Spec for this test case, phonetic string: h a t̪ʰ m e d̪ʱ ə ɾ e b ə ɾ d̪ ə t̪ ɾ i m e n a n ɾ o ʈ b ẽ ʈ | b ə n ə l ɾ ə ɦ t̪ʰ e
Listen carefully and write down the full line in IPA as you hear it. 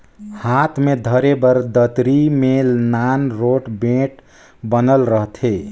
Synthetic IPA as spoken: h a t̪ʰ m e d̪ʱ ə ɾ e b ə ɾ d̪ ə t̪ ɾ i m e n a n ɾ o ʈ b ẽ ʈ | b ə n ə l ɾ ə ɦ t̪ʰ e